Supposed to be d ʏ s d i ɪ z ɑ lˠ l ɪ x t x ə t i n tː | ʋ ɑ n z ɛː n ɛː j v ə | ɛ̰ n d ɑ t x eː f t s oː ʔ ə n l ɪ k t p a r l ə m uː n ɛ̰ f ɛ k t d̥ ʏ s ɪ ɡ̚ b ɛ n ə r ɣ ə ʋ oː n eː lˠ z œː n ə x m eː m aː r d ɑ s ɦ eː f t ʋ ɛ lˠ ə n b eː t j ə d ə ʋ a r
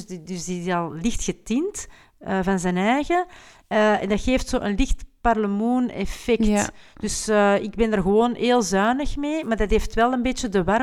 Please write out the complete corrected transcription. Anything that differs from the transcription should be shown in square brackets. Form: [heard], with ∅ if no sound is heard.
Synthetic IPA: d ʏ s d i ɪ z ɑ lˠ l ɪ x t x ə t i n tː | [v] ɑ n z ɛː n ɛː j [ɣ] ə | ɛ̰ n d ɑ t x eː f t s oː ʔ ə n l ɪ [x] t p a r l ə m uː n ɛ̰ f ɛ k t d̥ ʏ s ɪ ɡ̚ b ɛ n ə r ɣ ə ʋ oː n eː lˠ z œː n ə x m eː m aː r d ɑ [t] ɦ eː f t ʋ ɛ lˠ ə n b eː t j ə d ə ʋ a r